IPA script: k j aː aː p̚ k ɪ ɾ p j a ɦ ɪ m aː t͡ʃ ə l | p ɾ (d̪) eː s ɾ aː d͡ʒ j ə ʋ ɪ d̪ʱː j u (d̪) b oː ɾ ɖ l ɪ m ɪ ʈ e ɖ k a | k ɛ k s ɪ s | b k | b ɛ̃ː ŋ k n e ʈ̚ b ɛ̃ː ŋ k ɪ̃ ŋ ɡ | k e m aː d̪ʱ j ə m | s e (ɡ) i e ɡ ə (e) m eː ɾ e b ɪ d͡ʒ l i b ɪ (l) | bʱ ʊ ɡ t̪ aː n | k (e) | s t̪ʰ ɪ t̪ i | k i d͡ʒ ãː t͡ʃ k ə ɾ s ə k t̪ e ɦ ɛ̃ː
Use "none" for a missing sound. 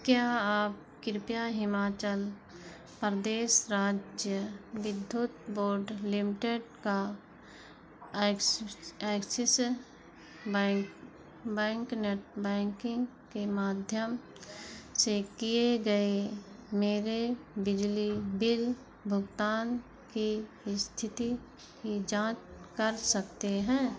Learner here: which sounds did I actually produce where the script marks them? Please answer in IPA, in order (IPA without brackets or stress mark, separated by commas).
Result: d̪, t̪, k, e, l, i